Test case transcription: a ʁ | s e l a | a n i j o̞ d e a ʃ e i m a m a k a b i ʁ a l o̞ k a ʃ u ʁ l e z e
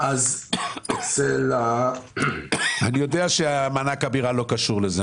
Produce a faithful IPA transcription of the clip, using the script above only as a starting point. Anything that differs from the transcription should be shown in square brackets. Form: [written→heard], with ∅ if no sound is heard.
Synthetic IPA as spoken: a [ʁ→z] | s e l a | a n i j o̞ d e a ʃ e [i→a] m a [m→n] a k a b i ʁ a l o̞ k a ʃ u ʁ l e z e

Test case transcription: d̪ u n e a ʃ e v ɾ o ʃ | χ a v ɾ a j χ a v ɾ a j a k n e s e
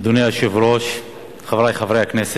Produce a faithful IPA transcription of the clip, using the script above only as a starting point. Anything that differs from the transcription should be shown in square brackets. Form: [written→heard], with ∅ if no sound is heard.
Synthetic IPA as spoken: d̪ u n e a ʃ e v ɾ o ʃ | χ a v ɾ a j χ a v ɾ [a→e] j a k n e s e

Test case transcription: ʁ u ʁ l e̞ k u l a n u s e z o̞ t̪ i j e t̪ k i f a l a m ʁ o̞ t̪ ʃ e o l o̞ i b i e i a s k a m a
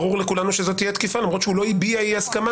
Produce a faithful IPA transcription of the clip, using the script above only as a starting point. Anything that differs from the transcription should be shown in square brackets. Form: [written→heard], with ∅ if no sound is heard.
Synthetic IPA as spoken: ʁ u ʁ l e̞ k u l a n u [s→ʃ] e z o̞ t̪ i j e t̪ k i f a l a m ʁ o̞ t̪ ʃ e [o→u] l o̞ i b i [e→a] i a s k a m a

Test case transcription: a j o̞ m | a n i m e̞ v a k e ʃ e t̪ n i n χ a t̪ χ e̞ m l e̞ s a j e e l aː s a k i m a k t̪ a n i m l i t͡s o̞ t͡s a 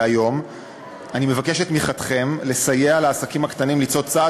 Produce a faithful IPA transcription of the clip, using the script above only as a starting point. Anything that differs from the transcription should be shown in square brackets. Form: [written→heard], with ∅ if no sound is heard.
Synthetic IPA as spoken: a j o̞ m | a n i m e̞ v a k e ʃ e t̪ [n→m] i [n→∅] χ a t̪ χ e̞ m l e̞ s a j e [e→a] l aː s a k i m a k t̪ a n i m l i t͡s o̞ t͡s a

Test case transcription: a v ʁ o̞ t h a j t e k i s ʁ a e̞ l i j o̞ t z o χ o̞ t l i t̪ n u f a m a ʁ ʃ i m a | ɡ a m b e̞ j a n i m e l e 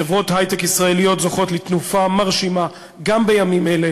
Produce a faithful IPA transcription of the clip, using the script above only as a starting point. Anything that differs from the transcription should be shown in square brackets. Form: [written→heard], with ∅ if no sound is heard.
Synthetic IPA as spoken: [a→e] v ʁ o̞ t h a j t e k i s ʁ a e̞ l i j o̞ t z o χ o̞ t l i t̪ n u f a m a ʁ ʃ i m a | ɡ a m b e̞ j a [n→m] i m e l e

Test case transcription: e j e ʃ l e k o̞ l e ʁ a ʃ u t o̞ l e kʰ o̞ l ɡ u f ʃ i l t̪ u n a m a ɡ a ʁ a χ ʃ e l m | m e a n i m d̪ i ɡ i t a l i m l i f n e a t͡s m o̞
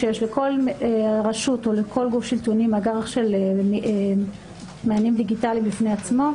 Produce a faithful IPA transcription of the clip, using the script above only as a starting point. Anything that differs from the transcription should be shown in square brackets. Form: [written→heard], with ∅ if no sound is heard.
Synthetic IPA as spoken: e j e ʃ l e k o̞ l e ʁ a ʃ u t o̞ l e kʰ o̞ l ɡ u f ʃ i l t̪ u n [a→i] m a ɡ a ʁ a χ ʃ e l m | m e a n i m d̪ i ɡ i t a l i m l i f n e a t͡s m o̞

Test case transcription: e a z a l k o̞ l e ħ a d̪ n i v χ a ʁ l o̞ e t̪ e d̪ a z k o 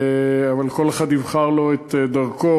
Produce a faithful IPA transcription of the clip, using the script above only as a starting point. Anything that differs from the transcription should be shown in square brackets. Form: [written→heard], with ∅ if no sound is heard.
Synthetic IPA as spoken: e a [z→v] a l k o̞ l e [ħ→χ] a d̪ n i v χ a ʁ l o̞ e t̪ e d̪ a [z→ʁ] k o

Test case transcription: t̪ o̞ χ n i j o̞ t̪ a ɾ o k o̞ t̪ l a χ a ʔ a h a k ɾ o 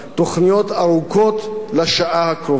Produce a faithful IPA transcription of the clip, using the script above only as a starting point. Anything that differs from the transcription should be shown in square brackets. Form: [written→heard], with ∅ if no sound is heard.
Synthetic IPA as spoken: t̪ o̞ χ n i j o̞ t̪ a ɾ [o→u] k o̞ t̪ l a [χ→ʃ] a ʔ a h a k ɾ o

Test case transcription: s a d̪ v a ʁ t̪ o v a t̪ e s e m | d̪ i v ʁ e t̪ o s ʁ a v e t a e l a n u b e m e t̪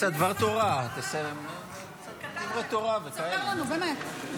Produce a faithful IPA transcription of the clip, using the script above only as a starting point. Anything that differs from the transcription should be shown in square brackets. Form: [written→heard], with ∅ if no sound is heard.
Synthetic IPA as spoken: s a d̪ v a ʁ t̪ o [v→ʁ] a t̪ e s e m | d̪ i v ʁ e t̪ o [s→∅] ʁ a v e [t→k] a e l a n u b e m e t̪

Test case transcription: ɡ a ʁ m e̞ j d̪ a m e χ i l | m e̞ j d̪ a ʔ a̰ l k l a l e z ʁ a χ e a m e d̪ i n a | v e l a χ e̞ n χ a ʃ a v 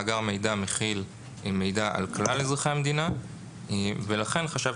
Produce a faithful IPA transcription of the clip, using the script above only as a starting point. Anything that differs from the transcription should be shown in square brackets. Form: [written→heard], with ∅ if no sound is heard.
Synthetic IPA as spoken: ɡ a ʁ m e̞ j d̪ a m e χ i l | m e̞ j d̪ a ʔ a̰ l k l a l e z ʁ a χ e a m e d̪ i n a | v e l a χ e̞ n χ a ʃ a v

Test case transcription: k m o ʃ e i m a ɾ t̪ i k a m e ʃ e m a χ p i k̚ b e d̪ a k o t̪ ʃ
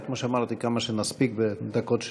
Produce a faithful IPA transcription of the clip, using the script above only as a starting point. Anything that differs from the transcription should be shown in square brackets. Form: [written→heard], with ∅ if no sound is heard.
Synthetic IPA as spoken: k m o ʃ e [i→a] m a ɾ t̪ i k a m [e→a] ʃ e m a [χ→s] p i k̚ b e d̪ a k o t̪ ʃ

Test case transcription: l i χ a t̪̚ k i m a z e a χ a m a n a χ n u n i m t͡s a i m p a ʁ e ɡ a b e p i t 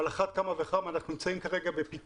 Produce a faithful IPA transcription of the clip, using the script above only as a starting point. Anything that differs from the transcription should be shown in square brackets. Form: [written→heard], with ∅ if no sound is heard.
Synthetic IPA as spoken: l [i→a] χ a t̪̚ k [i→a] m a [z→v] e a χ a m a n a χ n u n i m t͡s a i m [p→k] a ʁ e ɡ a b e p i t

